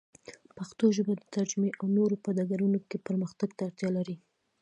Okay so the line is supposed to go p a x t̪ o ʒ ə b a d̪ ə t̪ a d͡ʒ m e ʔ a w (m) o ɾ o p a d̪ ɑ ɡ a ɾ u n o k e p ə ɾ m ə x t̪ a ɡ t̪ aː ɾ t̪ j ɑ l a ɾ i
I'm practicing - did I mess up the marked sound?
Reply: yes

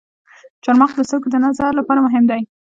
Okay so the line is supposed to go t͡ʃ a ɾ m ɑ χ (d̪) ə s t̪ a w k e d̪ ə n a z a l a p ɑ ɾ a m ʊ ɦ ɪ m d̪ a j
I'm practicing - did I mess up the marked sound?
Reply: no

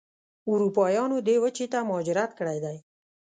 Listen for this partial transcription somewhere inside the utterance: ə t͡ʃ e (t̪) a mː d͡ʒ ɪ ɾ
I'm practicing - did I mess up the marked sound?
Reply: no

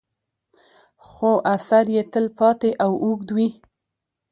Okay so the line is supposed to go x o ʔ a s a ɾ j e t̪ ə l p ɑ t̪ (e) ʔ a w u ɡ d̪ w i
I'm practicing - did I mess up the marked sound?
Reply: no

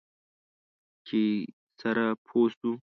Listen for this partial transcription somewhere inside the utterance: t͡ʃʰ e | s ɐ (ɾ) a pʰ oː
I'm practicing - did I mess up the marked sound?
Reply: no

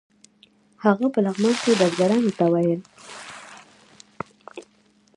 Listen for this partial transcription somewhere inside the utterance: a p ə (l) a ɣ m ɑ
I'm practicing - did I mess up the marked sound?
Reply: no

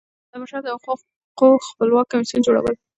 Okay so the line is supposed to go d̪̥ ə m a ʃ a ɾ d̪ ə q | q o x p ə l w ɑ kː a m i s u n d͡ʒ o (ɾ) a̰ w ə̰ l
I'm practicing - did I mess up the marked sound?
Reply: yes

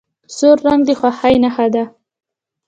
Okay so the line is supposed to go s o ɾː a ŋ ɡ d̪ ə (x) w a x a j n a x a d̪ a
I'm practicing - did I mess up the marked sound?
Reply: no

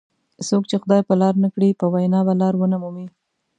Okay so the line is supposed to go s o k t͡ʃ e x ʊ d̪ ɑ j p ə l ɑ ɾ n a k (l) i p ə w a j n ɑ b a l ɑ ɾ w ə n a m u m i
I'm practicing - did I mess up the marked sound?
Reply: yes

